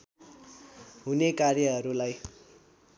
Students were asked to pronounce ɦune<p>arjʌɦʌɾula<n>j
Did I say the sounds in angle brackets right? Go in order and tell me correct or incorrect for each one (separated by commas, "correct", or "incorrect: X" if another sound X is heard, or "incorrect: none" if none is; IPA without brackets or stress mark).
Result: incorrect: k, incorrect: none